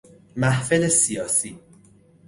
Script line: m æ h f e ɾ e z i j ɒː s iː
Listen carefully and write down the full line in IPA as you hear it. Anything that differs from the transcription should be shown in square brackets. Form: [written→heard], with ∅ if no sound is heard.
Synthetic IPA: m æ h f e [ɾ→l] e [z→s] i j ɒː s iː